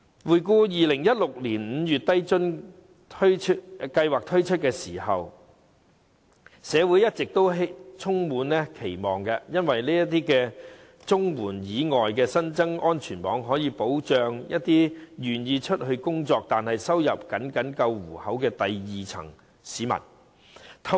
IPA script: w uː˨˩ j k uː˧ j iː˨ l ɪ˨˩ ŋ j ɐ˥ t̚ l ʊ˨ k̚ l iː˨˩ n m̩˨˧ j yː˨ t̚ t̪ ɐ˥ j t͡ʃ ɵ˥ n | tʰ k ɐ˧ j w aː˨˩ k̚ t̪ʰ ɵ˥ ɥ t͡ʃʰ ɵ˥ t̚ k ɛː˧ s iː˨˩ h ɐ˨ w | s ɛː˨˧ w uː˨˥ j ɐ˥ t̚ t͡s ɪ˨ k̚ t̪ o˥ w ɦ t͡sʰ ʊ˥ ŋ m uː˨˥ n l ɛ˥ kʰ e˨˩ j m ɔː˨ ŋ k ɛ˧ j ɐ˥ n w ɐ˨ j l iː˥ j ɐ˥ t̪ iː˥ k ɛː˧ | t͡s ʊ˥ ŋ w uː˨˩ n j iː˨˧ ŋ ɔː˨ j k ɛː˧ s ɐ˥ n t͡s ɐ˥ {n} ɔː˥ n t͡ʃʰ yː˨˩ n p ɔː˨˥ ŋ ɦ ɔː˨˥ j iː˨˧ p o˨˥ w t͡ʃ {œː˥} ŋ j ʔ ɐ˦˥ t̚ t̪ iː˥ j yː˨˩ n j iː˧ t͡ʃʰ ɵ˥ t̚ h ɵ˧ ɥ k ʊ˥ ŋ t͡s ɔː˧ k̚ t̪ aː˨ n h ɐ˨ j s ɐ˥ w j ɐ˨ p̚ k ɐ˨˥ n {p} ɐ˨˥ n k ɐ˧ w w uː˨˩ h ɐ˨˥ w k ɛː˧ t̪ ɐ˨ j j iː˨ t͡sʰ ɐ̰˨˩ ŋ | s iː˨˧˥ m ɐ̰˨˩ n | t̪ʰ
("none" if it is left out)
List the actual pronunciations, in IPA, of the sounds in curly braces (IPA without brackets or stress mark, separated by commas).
ŋ, œː˨˧, k